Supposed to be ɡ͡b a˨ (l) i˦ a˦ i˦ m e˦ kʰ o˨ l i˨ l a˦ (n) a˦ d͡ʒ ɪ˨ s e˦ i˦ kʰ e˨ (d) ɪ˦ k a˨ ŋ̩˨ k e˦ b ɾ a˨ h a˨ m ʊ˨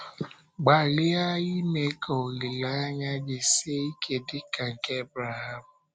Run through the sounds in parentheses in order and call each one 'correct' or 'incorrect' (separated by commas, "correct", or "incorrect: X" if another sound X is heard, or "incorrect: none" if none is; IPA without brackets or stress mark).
correct, incorrect: ɲ, correct